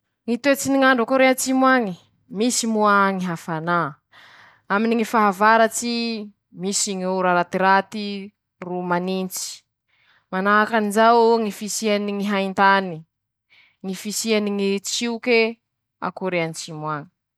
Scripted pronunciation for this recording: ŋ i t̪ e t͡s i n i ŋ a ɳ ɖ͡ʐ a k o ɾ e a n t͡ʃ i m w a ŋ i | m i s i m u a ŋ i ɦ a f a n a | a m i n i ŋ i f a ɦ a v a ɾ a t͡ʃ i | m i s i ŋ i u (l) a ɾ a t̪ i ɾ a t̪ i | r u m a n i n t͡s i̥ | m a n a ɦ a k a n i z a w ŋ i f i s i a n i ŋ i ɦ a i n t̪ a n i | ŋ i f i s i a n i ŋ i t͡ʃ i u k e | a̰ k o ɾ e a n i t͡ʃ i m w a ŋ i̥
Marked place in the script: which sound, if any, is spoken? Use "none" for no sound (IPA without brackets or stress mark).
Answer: ɾ